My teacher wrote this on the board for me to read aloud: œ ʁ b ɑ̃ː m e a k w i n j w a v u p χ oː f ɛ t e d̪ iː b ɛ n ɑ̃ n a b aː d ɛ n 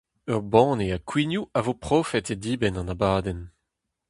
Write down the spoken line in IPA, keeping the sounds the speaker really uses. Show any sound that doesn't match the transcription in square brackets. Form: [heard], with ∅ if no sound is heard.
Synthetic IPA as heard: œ ʁ b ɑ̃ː [n] e a k w i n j [u] a v [o] p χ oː f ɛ t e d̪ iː b ɛ n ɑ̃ n a b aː d ɛ n

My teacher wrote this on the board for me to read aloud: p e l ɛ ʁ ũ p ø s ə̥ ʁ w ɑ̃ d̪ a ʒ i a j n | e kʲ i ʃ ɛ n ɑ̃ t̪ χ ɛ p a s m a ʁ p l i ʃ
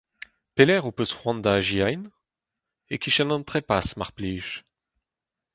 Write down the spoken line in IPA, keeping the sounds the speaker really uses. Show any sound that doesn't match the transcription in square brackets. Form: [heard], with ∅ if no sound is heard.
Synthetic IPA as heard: p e l ɛ ʁ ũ p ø s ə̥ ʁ w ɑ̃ d̪ a ʒ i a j n | e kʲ i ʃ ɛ n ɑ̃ t̪ χ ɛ p a s m a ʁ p l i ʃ

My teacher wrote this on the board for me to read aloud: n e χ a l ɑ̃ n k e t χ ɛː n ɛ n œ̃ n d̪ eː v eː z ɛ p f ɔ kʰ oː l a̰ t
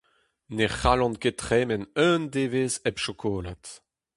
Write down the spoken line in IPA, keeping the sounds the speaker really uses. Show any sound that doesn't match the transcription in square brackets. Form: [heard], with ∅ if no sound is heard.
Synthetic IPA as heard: n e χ a l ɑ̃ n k e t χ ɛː [m] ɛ n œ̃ n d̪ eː v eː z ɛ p [ʃ] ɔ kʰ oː l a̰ t

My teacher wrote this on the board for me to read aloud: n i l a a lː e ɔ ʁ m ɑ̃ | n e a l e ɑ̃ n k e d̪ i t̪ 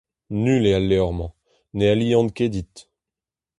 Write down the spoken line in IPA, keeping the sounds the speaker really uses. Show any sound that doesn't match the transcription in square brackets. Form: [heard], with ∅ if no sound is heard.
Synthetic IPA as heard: n [y] l [e] a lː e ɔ ʁ m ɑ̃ | n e a l [i] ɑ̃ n k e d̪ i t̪

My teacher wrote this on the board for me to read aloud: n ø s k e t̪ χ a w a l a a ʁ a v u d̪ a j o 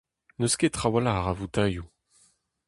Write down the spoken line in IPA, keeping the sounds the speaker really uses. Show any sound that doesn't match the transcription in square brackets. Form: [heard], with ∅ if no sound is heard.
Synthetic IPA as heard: n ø s k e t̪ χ a w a l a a ʁ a v u [t̪] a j [u]

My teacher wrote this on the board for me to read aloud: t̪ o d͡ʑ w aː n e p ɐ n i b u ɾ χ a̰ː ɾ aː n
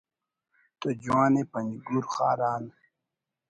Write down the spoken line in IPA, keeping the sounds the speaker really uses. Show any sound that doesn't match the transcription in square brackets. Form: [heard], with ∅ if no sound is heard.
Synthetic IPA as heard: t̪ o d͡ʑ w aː n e p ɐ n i [ɡ] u ɾ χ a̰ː ɾ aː n

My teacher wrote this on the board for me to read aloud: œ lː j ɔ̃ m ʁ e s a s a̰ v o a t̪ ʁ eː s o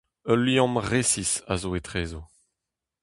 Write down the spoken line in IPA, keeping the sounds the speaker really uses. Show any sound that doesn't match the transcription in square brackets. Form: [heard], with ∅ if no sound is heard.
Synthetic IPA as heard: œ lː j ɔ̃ m ʁ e s [i] s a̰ [z] o [e] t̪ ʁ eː [z] o

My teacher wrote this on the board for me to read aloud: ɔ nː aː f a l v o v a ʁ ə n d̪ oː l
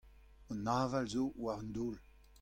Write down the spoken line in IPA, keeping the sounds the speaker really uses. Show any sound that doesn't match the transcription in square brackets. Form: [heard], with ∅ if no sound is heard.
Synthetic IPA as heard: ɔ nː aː [v] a l [z] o [w] a ʁ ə n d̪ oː l

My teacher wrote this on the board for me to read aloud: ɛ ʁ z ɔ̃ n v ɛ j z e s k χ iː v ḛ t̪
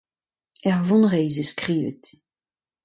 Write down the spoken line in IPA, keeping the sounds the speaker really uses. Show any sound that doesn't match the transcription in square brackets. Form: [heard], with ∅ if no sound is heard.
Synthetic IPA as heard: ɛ ʁ [v] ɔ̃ n [ʁ] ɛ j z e s k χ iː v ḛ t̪

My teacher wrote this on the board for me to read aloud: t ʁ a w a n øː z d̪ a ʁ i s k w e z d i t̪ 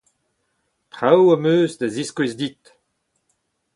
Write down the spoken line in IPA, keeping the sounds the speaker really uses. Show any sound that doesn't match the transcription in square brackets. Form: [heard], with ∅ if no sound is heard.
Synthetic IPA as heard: t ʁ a w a [m] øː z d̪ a [z] i s k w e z d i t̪

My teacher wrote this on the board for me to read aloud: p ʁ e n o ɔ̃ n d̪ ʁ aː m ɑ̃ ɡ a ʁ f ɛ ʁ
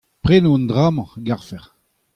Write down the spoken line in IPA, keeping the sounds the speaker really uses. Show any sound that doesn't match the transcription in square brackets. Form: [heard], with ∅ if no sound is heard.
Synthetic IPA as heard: p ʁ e n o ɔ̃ n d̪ ʁ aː m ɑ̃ ɡ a ʁ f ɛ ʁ

